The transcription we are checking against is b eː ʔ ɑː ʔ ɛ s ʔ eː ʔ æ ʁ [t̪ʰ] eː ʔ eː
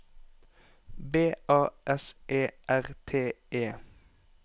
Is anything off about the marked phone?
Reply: no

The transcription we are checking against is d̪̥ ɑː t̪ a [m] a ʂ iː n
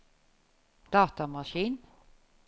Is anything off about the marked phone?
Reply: no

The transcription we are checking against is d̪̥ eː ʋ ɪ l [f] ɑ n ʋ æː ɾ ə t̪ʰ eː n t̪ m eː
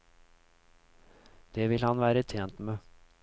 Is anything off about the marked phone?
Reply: yes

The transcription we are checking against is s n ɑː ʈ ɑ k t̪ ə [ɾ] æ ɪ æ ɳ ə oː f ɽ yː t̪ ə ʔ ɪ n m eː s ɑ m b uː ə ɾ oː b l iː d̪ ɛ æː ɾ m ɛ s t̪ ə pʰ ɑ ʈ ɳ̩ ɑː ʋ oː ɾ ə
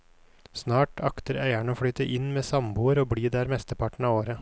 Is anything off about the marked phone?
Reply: no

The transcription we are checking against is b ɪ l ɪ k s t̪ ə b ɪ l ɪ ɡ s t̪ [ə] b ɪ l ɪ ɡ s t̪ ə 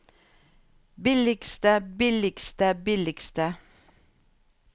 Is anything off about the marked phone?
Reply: no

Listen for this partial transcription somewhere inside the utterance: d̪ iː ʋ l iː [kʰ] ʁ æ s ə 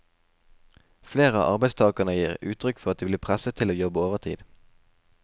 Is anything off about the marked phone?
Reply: yes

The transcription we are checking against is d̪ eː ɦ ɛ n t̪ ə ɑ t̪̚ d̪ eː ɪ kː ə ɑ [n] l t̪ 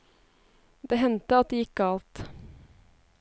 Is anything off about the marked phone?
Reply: yes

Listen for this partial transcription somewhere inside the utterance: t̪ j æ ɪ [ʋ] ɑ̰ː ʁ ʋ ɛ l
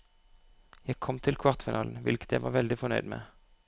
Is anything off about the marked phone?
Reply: no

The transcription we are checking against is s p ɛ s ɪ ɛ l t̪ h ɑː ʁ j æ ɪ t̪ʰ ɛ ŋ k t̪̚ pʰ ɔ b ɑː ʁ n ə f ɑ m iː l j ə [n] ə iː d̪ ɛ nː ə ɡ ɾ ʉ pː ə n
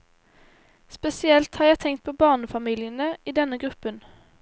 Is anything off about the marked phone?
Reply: no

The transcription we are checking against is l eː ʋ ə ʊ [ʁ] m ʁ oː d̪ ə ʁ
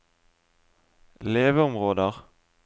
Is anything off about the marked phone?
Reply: yes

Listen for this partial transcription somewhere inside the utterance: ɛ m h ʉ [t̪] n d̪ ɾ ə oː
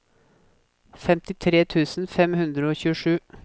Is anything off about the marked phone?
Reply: yes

